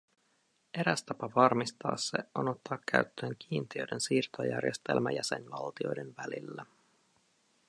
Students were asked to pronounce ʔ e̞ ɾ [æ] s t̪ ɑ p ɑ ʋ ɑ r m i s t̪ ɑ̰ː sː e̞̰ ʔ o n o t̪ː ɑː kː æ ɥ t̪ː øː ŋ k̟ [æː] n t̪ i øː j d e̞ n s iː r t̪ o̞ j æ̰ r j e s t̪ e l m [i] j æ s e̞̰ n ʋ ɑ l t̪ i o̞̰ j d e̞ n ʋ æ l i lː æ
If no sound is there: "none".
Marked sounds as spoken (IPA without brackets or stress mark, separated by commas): æ, iː, æ